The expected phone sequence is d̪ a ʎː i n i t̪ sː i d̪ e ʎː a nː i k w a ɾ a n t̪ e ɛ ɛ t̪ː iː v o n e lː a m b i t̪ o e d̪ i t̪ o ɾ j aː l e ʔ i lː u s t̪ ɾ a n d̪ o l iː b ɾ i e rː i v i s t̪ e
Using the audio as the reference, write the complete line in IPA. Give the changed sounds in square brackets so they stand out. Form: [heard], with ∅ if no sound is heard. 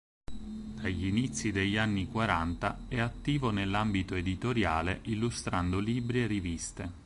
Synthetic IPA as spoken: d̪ a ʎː i n i t̪ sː i d̪ e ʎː a nː i k w a ɾ a n t̪ [a] ɛ [a] t̪ː iː v o n e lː a m b i t̪ o e d̪ i t̪ o ɾ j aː l e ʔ i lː u s t̪ ɾ a n d̪ o l iː b ɾ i e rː i v i s t̪ e